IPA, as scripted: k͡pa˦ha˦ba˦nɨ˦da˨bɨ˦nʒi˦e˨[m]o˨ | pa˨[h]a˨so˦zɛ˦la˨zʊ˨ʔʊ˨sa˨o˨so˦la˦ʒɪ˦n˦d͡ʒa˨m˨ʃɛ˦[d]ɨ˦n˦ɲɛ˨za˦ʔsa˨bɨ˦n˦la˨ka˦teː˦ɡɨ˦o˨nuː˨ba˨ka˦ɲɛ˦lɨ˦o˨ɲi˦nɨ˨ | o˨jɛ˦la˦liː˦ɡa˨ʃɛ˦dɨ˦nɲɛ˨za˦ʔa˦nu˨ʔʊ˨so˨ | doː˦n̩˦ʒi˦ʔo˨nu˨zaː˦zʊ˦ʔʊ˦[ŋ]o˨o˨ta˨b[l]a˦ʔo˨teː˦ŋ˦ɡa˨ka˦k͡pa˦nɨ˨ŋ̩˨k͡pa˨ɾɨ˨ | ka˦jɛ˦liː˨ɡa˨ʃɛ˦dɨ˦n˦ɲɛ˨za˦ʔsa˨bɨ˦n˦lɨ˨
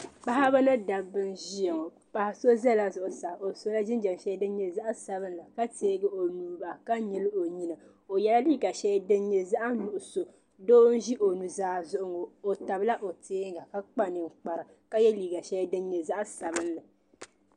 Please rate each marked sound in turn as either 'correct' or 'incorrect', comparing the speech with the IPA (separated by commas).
incorrect, correct, correct, correct, correct